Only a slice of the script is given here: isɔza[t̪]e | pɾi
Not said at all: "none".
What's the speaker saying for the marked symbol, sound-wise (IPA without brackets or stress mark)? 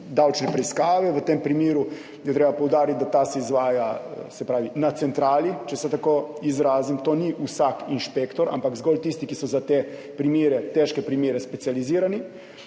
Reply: t̪